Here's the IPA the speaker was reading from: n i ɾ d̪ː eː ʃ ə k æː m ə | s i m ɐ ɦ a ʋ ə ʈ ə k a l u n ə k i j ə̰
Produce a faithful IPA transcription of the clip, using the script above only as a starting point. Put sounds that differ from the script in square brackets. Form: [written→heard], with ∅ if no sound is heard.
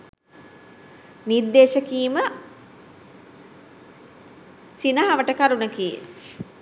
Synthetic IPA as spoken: n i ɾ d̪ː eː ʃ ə k [æː→iː] m ə | s i [m→n] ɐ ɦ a ʋ ə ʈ ə k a [l→ɾ] u n ə k i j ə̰